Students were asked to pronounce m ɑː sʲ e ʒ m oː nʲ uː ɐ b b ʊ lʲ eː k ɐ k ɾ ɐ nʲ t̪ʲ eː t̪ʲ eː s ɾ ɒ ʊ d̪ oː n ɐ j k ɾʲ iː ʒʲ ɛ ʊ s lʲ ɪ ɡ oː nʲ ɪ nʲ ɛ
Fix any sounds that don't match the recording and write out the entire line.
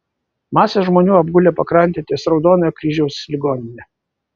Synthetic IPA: m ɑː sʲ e ʒ m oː nʲ uː ɐ b ɡ ʊ lʲ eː p ɐ k ɾ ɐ nʲ t̪ʲ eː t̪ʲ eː s ɾ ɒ ʊ d̪ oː n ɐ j k ɾʲ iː ʒʲ ɛ ʊ s lʲ ɪ ɡ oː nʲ ɪ nʲ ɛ

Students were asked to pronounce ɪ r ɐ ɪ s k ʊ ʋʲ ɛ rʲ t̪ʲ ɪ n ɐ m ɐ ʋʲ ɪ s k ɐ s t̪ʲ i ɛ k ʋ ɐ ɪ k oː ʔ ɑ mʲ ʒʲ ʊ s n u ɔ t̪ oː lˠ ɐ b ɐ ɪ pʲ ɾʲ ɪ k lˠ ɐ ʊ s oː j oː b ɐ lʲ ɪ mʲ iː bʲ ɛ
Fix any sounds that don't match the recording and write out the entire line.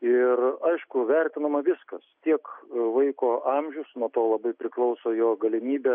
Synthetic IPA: ɪ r ɐ ɪ ʃ k ʊ ʋʲ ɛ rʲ t̪ʲ ɪ n ɐ m ɐ ʋʲ ɪ s k ɐ s t̪ʲ i ɛ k ʋ ɐ ɪ k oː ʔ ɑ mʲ ʒʲ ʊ s n u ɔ t̪ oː lˠ ɐ b ɐ ɪ pʲ ɾʲ ɪ k lˠ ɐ ʊ s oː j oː ɡ ɐ lʲ ɪ mʲ iː bʲ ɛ

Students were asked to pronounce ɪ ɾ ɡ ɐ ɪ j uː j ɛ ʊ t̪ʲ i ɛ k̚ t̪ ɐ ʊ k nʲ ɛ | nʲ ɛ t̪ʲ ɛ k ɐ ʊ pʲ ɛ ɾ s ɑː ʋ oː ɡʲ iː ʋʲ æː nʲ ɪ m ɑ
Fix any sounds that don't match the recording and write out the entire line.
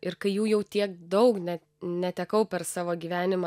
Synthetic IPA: ɪ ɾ k ɐ ɪ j uː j ɛ ʊ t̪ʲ i ɛ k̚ d̪ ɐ ʊ k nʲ ɛ | nʲ ɛ t̪ʲ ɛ k ɐ ʊ pʲ ɛ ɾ s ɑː ʋ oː ɡʲ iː ʋʲ æː nʲ ɪ m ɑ

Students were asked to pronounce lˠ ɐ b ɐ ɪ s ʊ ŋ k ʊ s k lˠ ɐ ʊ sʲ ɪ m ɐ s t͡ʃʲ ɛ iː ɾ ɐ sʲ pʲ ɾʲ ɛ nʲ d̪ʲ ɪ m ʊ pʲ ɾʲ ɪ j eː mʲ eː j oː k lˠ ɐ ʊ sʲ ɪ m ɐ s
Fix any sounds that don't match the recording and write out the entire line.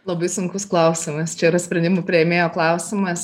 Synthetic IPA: lˠ ɐ b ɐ ɪ s ʊ ŋ k ʊ s k lˠ ɐ ʊ sʲ ɪ m ɐ s t͡ʃʲ ɛ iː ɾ ɐ sʲ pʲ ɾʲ ɛ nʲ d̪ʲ ɪ m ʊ pʲ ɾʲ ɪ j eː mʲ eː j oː k lˠ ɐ ʊ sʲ ɪ m ɐ s

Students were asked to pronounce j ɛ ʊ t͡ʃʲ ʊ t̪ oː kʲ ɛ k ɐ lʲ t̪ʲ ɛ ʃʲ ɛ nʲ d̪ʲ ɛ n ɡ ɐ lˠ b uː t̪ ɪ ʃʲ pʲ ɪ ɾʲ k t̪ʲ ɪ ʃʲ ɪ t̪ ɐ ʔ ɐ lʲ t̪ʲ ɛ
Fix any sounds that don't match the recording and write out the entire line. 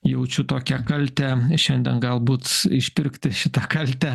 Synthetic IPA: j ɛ ʊ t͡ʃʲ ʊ t̪ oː kʲ ɛ k ɐ lʲ t̪ʲ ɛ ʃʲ ɛ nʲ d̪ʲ ɛ n ɡ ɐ lˠ b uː t̪ ɪ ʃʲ pʲ ɪ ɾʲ k t̪ʲ ɪ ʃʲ ɪ t̪ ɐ k ɐ lʲ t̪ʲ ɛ

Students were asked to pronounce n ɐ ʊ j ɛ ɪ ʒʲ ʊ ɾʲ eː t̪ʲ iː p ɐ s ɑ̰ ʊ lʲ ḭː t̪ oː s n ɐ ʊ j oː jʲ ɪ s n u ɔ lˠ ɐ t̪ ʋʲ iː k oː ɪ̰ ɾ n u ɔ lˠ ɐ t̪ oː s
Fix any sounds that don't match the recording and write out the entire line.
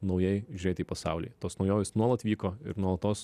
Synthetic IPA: n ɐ ʊ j ɛ ɪ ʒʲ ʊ ɾʲ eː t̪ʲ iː p ɐ s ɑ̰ ʊ lʲ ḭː t̪ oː s n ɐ ʊ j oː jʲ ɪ s n u ɔ lˠ ɐ t̪ ʋʲ iː k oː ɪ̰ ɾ n u ɔ lˠ ɐ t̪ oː s

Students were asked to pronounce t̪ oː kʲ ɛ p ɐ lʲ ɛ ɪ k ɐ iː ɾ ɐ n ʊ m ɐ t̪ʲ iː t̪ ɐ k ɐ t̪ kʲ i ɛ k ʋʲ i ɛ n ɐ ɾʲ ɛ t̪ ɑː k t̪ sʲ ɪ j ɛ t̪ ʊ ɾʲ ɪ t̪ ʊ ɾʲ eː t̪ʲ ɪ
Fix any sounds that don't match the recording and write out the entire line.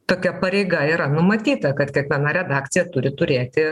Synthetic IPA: t̪ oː kʲ ɛ p ɐ ɾʲ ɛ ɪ ɡ ɐ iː ɾ ɐ n ʊ m ɐ t̪ʲ iː t̪ ɐ k ɐ t̪ kʲ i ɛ k ʋʲ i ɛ n ɐ ɾʲ ɛ d̪ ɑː k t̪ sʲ ɪ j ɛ t̪ ʊ ɾʲ ɪ t̪ ʊ ɾʲ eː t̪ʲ ɪ

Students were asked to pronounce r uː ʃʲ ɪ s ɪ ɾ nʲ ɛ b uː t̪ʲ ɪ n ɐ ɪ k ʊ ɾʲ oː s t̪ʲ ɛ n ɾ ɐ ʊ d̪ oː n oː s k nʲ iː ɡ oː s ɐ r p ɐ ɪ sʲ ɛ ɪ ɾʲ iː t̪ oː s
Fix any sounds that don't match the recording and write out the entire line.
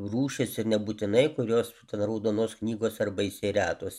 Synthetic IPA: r uː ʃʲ ɪ s ɪ ɾ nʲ ɛ b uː t̪ʲ ɪ n ɐ ɪ k ʊ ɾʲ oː s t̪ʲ ɛ n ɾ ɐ ʊ d̪ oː n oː s k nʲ iː ɡ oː s ɐ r b ɐ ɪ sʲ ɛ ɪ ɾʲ æː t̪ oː s

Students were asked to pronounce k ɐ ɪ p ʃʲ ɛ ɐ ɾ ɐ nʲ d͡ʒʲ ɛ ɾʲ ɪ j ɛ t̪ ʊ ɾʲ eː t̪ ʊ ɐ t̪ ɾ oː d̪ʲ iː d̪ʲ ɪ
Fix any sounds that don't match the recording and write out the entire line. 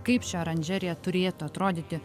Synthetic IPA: k ɐ ɪ p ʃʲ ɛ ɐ ɾ ɐ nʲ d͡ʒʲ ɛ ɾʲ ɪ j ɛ t̪ ʊ ɾʲ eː t̪ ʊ ɐ t̪ ɾ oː d̪ʲ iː t̪ʲ ɪ

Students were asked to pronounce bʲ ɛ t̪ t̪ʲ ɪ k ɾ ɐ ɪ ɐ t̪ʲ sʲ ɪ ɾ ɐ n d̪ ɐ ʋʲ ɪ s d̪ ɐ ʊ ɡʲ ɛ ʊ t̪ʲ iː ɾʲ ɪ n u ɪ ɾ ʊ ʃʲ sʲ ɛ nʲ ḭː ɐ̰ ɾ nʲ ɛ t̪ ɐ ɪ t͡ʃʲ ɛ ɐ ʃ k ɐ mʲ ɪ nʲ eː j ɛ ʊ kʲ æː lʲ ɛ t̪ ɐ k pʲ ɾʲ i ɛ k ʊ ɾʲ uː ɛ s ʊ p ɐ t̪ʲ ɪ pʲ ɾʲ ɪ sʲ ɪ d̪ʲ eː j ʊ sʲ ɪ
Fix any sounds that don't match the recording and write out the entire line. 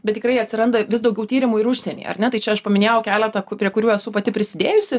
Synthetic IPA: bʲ ɛ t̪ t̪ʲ ɪ k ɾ ɐ ɪ ɐ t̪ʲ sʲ ɪ ɾ ɐ n d̪ ɐ ʋʲ ɪ s d̪ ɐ ʊ ɡʲ ɛ ʊ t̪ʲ iː ɾʲ ɪ m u ɪ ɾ ʊ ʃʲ sʲ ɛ nʲ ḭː ɐ̰ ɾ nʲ ɛ t̪ ɐ ɪ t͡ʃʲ ɛ ɐ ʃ p ɐ mʲ ɪ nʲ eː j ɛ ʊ kʲ æː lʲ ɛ t̪ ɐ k pʲ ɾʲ i ɛ k ʊ ɾʲ uː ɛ s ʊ p ɐ t̪ʲ ɪ pʲ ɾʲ ɪ sʲ ɪ d̪ʲ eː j ʊ sʲ ɪ

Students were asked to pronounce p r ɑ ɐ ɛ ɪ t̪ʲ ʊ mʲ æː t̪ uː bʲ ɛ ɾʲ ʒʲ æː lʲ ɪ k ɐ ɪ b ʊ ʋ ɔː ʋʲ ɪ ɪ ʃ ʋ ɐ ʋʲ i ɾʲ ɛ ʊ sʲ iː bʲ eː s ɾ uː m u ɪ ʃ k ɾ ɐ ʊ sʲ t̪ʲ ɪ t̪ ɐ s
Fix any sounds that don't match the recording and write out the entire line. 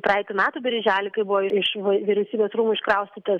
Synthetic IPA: p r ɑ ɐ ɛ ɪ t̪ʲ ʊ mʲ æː t̪ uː bʲ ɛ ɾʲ ʒʲ æː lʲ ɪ k ɐ ɪ b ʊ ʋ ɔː ɪ ɪ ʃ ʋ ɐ ʋʲ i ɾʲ ɛ ʊ sʲ iː bʲ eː s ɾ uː m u ɪ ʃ k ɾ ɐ ʊ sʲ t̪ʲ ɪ t̪ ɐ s

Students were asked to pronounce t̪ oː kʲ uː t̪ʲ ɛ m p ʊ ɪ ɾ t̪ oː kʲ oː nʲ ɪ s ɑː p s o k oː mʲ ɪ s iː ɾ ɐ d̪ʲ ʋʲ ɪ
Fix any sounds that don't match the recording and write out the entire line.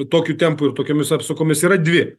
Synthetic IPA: t̪ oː kʲ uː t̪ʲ ɛ m p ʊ ɪ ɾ t̪ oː kʲ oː mʲ ɪ s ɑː p s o k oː mʲ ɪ s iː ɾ ɐ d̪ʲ ʋʲ ɪ

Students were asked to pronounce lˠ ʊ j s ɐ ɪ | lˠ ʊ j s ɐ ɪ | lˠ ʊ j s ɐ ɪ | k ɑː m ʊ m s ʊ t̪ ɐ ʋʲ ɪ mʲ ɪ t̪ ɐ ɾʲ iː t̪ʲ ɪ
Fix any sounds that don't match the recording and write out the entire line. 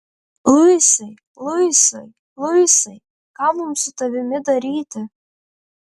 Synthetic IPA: lˠ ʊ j s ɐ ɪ | lˠ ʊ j s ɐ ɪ | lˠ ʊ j s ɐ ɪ | k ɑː m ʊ m s ʊ t̪ ɐ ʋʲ ɪ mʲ ɪ d̪ ɐ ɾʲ iː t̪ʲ ɪ

